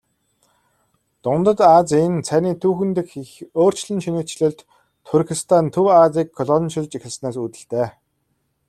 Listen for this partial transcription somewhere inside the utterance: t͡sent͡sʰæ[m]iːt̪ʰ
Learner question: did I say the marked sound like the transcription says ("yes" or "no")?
no